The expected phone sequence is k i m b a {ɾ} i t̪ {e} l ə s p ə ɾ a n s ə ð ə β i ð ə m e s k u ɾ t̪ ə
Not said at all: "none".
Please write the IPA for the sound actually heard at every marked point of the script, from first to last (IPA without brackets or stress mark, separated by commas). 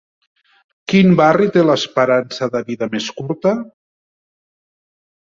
r, e